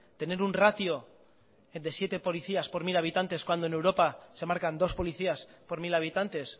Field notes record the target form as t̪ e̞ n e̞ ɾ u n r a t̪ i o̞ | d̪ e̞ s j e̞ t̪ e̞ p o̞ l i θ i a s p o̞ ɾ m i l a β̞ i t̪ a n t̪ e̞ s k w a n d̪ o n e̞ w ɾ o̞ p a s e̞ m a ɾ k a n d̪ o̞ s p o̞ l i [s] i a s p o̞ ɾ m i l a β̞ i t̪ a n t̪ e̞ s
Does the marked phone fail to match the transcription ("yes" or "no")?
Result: yes